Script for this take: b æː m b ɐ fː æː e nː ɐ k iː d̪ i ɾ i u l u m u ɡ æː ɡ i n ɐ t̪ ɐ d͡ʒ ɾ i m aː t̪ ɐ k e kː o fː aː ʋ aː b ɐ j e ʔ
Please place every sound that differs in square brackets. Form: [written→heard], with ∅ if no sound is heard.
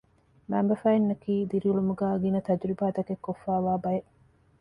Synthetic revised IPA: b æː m b ɐ [fː→f] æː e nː ɐ k iː d̪ i ɾ i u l u m u ɡ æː ɡ i n ɐ t̪ ɐ d͡ʒ ɾ i [m→b] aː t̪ ɐ k e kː o fː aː ʋ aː b ɐ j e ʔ